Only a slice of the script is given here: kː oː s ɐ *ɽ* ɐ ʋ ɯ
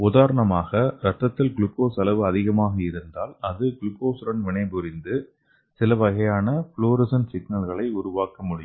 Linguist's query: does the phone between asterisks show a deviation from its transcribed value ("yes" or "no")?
yes